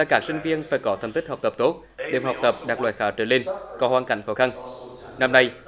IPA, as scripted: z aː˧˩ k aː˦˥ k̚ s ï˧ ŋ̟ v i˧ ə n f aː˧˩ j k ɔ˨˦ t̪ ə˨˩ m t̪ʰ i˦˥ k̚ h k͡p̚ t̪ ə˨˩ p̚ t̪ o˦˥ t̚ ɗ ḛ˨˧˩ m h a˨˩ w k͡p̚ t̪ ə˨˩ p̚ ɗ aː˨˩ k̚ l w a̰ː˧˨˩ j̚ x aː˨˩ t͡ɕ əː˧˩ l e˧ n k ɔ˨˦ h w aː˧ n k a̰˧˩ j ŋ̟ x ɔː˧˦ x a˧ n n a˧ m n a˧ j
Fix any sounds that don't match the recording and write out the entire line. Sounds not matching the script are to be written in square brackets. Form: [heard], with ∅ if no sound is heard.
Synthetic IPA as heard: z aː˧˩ k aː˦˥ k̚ s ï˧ ŋ̟ v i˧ ə n f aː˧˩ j k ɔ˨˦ t̪ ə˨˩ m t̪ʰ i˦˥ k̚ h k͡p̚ t̪ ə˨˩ p̚ t̪ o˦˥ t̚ ɗ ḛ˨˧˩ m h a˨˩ w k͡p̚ t̪ ə˨˩ p̚ ɗ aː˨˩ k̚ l w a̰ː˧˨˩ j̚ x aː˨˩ t͡ɕ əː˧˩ l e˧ n k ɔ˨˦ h w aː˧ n k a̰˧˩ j ŋ̟ x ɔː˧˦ x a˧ n n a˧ m n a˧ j